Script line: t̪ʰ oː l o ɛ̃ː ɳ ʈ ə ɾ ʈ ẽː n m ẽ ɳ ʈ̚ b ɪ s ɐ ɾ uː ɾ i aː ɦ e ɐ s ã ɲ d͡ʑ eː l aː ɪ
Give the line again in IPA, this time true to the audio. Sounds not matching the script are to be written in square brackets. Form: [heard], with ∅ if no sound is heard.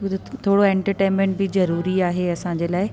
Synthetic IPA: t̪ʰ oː [ɽ] o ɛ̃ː ɳ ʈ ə ɾ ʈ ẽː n m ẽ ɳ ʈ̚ b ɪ [z] ɐ ɾ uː ɾ i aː ɦ e ɐ s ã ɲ d͡ʑ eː l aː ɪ